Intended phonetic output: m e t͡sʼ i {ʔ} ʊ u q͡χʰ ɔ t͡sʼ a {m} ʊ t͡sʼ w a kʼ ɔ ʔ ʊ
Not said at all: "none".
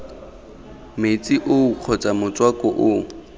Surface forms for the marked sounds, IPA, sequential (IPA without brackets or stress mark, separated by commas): ʔ, m